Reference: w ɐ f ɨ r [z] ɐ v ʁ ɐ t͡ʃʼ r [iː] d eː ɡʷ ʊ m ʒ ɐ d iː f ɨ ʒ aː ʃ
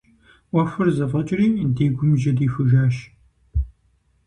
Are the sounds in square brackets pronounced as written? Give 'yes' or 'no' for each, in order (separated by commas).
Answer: yes, yes